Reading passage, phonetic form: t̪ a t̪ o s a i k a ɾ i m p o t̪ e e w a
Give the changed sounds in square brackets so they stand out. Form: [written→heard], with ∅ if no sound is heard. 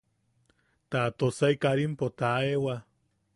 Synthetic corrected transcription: t̪ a t̪ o s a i k a ɾ i m p o t̪ [e→a] e w a